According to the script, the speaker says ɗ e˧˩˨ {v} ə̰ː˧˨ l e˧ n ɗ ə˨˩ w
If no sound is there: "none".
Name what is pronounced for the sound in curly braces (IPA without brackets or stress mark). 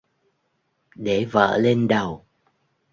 v